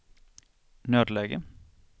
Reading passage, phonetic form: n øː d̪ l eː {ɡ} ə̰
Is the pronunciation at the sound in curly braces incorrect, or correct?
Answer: correct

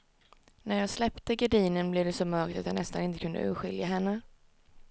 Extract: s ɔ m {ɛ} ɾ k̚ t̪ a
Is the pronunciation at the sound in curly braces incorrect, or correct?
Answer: incorrect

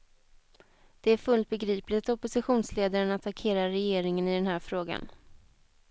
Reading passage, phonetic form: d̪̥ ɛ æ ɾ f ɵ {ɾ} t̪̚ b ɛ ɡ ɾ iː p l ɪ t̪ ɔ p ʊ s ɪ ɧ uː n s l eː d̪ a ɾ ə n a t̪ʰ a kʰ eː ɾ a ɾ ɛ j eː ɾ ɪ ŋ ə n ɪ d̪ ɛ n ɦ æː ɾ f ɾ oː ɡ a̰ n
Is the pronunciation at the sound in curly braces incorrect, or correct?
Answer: incorrect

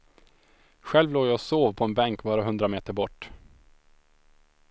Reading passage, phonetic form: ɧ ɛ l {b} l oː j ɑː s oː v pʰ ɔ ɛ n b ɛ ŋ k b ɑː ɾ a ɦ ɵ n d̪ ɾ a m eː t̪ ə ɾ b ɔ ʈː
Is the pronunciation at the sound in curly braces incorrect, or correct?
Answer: incorrect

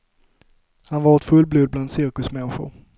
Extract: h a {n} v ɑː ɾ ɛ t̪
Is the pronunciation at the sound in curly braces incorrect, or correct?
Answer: correct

